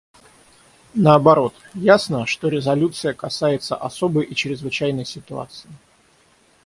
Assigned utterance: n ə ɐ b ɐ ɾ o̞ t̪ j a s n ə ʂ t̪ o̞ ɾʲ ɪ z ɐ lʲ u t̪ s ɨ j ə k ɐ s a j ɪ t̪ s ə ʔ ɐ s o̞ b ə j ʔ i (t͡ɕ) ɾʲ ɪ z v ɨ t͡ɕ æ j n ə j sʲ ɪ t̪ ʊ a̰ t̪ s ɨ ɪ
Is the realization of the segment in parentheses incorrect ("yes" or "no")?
no